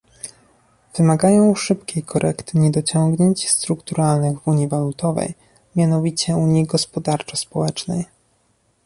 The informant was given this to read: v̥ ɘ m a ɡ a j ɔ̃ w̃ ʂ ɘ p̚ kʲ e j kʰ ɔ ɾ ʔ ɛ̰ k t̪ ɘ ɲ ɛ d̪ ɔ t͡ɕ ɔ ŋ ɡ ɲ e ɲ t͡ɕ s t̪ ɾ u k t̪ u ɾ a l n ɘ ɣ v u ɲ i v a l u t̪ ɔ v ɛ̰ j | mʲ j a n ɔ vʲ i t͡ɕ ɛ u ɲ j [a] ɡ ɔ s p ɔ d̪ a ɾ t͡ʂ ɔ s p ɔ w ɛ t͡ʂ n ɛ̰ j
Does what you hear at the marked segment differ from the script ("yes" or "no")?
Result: yes